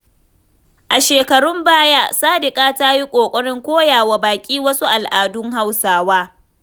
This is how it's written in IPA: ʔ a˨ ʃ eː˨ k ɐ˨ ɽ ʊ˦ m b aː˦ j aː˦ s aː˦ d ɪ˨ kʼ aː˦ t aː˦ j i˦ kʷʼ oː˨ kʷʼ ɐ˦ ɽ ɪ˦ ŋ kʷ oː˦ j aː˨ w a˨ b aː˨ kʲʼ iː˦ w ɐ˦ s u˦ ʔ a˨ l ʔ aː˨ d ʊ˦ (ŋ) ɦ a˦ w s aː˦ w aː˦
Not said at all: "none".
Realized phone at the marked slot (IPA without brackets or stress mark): ŋ